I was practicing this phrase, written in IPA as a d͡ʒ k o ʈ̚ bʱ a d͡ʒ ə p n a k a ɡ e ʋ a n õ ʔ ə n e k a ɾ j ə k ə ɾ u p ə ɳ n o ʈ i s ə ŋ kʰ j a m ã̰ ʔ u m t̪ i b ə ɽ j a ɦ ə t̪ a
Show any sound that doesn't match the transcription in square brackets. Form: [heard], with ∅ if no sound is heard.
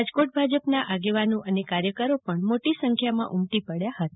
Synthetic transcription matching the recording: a d͡ʒ k o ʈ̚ bʱ a d͡ʒ ə p n a [ʔ] a ɡ e ʋ a n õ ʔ ə n e k a ɾ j ə k ə ɾ [o] p ə ɳ [m] o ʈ i s ə ŋ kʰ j a m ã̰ ʔ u m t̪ i [p] ə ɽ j a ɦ ə t̪ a